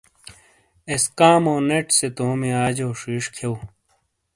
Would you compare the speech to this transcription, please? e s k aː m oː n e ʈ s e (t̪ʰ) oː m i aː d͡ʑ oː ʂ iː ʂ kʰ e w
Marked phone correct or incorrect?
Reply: incorrect